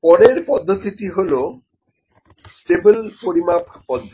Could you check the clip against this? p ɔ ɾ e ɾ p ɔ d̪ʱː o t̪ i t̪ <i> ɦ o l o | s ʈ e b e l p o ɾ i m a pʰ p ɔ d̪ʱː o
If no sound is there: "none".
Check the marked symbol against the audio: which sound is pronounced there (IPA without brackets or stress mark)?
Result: i